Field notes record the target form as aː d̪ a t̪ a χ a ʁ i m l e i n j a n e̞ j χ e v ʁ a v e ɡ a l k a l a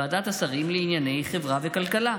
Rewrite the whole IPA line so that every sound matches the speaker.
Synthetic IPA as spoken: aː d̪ a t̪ a s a ʁ i m l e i n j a n e̞ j χ e v ʁ a v e k a l k a l a